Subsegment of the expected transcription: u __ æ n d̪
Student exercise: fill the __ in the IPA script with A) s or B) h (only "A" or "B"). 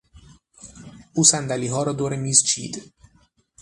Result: A